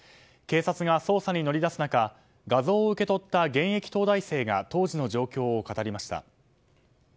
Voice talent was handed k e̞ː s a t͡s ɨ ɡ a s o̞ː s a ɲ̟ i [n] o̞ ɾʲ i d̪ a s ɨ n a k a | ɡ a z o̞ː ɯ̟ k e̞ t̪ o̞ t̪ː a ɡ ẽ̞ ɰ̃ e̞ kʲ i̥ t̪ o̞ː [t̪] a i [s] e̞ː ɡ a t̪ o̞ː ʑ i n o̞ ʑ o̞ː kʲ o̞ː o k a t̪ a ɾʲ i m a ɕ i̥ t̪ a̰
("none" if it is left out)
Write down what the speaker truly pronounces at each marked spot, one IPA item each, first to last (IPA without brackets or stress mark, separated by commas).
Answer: n, d̪, s